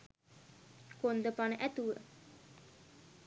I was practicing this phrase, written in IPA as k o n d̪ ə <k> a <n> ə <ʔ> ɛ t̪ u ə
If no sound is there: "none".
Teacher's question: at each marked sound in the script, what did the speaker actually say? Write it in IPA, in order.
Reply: p, n, ʔ

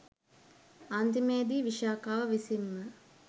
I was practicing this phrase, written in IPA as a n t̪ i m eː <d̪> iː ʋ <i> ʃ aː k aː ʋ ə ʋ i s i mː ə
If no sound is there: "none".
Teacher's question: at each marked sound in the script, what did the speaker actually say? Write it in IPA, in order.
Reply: d̪, i

